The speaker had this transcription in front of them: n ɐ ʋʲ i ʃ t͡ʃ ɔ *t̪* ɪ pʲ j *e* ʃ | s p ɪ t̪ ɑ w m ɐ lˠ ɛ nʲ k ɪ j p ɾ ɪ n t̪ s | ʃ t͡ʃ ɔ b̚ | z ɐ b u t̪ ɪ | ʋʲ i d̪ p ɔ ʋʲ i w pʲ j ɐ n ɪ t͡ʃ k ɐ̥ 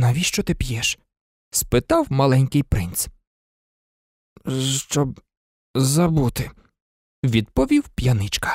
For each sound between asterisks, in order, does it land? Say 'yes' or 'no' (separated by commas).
yes, no